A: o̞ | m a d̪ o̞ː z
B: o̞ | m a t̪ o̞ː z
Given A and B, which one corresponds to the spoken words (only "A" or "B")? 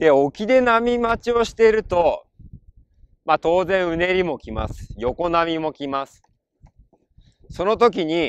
B